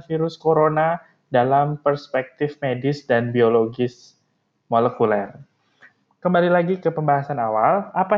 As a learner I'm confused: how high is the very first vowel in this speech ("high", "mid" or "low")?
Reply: high